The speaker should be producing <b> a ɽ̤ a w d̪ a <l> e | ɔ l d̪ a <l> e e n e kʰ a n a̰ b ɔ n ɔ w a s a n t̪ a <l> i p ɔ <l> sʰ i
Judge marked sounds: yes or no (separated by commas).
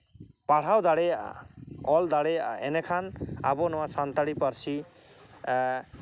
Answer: no, no, no, no, no